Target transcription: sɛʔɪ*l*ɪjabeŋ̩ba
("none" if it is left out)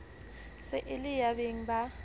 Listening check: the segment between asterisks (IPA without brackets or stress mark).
l